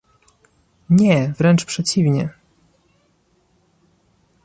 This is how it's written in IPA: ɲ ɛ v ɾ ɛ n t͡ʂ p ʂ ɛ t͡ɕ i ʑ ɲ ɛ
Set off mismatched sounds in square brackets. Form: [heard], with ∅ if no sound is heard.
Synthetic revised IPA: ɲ ɛ v ɾ ɛ n t͡ʂ p ʂ ɛ t͡ɕ i [v] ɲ ɛ